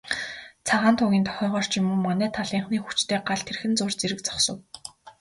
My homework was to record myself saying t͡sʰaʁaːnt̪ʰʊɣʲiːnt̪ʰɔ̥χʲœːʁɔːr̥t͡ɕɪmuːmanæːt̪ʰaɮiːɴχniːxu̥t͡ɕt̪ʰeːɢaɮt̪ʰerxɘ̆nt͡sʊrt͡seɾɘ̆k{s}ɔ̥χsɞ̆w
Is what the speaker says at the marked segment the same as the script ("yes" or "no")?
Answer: no